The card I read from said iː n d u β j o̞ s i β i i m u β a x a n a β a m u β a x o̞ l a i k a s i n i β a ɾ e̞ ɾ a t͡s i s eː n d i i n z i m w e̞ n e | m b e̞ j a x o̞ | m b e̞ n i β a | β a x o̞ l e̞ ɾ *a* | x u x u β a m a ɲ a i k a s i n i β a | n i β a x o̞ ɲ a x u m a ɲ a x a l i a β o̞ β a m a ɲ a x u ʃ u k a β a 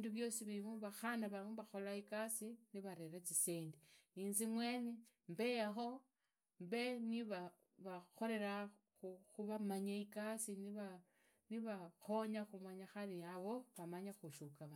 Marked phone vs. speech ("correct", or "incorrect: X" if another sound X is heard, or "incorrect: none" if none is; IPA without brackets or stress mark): correct